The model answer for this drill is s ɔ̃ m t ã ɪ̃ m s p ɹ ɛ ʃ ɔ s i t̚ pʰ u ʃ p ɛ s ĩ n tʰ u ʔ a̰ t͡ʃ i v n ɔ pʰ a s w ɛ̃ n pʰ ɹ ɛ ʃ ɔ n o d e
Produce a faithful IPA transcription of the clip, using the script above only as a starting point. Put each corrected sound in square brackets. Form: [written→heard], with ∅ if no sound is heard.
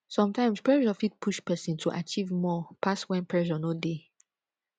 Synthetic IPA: s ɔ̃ m t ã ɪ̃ m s p ɹ ɛ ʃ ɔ [s→f] i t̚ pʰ u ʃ p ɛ s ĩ n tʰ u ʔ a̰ t͡ʃ i v [n→m] ɔ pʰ a s w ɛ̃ n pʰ ɹ ɛ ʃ ɔ n o d e